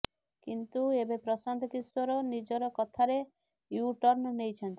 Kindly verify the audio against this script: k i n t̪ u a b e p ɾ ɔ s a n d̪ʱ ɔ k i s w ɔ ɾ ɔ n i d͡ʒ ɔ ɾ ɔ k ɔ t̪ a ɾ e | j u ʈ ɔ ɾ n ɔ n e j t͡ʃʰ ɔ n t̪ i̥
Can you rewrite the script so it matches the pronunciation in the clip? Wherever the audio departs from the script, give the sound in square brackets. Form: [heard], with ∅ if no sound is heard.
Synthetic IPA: k i n t̪ u [e] b e p ɾ ɔ s a n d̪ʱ ɔ k i s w ɔ ɾ ɔ n i d͡ʒ ɔ ɾ ɔ k ɔ [t̪ʰ] a ɾ e | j u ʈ ɔ ɾ n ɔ n e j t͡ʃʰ ɔ n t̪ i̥

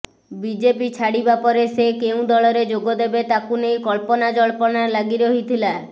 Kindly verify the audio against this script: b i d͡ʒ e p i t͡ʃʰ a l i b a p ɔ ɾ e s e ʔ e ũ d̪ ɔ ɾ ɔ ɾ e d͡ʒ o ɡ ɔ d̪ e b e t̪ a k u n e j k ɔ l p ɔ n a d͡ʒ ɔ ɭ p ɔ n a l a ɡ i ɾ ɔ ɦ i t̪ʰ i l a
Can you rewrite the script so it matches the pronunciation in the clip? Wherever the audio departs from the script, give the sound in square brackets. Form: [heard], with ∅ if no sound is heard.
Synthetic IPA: b i d͡ʒ e p i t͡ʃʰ a [ɽ] i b a p ɔ ɾ e s e [k] e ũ d̪ ɔ [ɭ] ɔ ɾ e d͡ʒ o ɡ ɔ d̪ e b e t̪ a k u n e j k ɔ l p ɔ n a d͡ʒ ɔ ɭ p ɔ n a l a ɡ i ɾ ɔ ɦ i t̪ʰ i l a

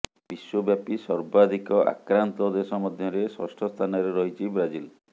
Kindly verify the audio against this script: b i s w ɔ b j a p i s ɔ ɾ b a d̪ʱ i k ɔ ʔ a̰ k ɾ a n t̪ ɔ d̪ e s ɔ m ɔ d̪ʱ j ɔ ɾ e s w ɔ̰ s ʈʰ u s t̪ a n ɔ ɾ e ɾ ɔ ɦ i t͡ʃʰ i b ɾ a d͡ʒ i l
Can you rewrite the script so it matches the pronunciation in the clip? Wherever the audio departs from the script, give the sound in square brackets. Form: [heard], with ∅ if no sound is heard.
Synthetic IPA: b i s w ɔ b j a p i s ɔ ɾ b a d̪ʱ i k ɔ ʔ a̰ k ɾ a n t̪ ɔ d̪ e s ɔ m ɔ d̪ʱ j ɔ ɾ e s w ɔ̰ s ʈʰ [ɔ] s [t̪ʰ] a n ɔ ɾ e ɾ ɔ ɦ i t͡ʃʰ i b ɾ a d͡ʒ i l

